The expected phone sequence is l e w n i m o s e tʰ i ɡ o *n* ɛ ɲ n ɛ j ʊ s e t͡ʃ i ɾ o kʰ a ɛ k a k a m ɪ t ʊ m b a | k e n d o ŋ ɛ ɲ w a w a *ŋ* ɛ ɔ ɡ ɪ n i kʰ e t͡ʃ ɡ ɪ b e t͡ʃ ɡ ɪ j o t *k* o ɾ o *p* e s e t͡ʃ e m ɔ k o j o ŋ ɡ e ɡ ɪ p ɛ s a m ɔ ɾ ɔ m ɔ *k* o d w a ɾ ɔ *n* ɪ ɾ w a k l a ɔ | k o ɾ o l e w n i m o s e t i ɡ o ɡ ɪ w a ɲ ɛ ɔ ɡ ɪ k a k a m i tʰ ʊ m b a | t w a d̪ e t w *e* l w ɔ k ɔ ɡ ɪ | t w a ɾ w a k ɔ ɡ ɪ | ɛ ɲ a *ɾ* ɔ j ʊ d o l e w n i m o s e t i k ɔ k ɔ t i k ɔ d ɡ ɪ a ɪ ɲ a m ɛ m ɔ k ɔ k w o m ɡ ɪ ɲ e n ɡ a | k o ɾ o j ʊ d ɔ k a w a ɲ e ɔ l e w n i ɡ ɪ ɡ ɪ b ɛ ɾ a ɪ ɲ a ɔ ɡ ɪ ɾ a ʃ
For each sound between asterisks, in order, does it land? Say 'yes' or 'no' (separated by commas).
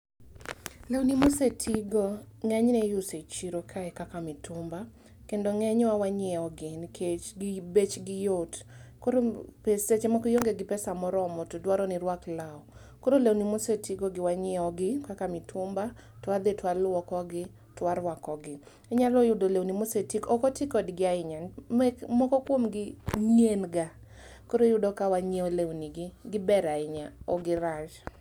no, no, yes, yes, no, yes, no, no